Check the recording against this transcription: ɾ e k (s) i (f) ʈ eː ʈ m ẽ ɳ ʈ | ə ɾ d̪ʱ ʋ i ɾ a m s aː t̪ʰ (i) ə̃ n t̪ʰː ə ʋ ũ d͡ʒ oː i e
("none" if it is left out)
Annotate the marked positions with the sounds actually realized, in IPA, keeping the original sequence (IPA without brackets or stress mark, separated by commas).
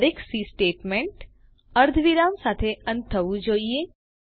s, s, e